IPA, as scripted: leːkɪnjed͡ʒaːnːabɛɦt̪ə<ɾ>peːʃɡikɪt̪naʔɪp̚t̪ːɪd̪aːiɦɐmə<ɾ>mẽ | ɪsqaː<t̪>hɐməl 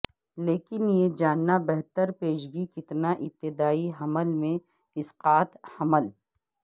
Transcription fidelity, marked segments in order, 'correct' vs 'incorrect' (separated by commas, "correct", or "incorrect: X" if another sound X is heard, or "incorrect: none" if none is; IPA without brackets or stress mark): correct, incorrect: l, correct